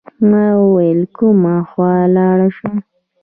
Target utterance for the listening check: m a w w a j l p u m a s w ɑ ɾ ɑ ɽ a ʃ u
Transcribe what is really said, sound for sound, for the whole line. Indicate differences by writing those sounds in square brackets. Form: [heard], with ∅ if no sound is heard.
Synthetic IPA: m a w w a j l [k] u m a [x] w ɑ [l] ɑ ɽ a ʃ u